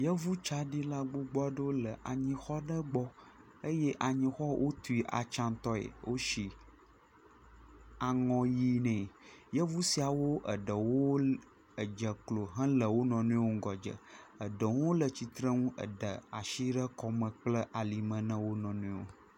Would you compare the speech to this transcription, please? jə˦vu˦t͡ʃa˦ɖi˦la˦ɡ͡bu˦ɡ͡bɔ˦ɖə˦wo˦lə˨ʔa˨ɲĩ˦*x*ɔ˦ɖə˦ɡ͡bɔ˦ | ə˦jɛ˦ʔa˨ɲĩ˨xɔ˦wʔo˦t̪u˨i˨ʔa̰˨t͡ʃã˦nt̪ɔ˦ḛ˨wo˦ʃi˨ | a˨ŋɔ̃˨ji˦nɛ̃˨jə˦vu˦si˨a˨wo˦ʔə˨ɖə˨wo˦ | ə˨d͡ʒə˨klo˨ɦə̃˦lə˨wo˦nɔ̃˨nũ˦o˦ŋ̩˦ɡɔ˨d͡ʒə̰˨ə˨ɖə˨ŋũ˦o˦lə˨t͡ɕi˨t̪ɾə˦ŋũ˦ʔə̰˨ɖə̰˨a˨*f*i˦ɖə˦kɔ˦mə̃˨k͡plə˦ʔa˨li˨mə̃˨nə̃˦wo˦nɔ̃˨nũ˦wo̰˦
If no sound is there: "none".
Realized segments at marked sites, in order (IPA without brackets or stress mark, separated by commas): x, ʃ